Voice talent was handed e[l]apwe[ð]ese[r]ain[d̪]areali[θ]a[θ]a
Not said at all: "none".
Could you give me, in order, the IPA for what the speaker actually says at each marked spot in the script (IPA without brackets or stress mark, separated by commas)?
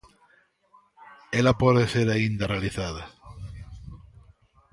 l, ð, ɾ, d̪, θ, ð